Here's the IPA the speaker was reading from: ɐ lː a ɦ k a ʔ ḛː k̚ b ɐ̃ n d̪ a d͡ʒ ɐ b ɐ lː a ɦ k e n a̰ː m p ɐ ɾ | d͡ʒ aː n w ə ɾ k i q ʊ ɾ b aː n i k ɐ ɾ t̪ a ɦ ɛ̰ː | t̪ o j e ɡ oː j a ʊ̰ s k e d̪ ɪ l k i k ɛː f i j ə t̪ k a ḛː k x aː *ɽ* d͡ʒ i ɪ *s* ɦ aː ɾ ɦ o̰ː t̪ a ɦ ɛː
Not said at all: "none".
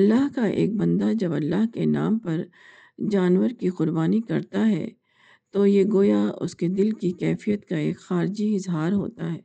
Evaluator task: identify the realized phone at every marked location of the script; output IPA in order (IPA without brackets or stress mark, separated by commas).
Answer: ɾ, z